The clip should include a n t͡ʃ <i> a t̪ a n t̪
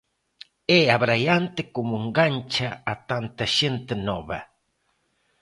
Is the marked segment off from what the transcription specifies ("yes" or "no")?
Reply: yes